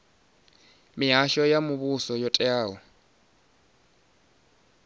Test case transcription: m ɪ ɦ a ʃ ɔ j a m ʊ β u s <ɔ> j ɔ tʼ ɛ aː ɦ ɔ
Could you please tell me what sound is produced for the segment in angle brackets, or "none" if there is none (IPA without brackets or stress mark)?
ɔ